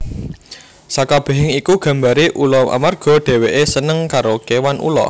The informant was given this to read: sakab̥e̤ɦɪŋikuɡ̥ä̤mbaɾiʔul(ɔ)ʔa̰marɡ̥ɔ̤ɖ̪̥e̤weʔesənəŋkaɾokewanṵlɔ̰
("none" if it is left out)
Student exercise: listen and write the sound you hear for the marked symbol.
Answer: ɔ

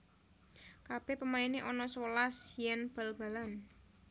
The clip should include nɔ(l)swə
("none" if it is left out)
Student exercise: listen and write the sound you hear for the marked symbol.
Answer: none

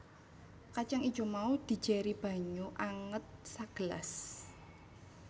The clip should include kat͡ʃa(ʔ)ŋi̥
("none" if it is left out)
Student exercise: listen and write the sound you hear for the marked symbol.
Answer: none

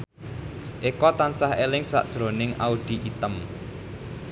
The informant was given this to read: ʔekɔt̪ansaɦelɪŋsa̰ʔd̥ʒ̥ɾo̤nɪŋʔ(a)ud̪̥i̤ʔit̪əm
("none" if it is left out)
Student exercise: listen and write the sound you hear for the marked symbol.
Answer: a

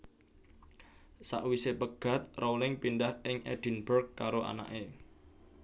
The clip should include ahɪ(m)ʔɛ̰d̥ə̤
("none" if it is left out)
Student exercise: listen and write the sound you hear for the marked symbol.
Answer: ŋ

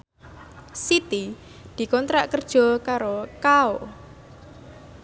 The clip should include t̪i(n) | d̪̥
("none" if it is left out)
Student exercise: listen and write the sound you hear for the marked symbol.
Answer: none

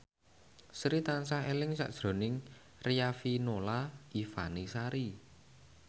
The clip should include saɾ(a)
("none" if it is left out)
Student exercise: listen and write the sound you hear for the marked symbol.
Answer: i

